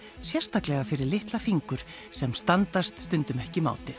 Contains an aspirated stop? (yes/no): no